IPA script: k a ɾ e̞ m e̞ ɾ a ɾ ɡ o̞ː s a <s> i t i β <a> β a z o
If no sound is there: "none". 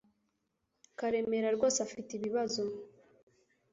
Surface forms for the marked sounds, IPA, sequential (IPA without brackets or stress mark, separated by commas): f, i